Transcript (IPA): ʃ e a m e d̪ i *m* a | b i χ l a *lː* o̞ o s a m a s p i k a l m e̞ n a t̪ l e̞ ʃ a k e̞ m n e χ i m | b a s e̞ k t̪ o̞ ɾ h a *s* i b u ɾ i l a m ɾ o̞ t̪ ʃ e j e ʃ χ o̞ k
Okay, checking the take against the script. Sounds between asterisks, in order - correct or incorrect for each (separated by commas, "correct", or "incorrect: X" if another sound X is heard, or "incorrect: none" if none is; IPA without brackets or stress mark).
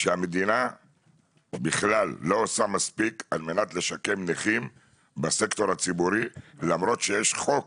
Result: incorrect: n, correct, incorrect: t͡s